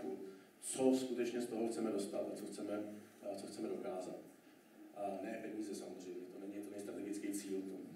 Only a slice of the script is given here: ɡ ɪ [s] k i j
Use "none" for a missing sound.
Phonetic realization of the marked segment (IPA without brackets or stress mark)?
t͡s